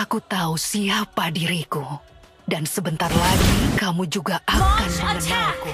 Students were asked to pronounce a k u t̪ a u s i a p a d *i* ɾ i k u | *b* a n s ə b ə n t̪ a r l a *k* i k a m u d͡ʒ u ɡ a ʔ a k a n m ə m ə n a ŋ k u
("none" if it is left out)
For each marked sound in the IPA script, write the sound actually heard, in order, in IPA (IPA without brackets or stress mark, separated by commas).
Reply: i, d, ɡ